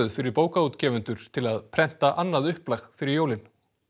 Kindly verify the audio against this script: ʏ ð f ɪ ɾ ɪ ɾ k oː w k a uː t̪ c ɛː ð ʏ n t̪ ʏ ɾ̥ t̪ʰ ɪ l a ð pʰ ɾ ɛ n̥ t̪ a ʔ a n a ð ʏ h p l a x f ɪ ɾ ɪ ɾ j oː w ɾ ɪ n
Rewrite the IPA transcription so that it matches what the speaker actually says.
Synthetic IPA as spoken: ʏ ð f ɪ ɾ ɪ ɾ p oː w k a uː t̪ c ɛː v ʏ n t̪ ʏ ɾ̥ t̪ʰ ɪ l a ð pʰ ɾ ɛ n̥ t̪ a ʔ a nː a ð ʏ h p l a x f ɪ ɾ ɪ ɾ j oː w l ɪ n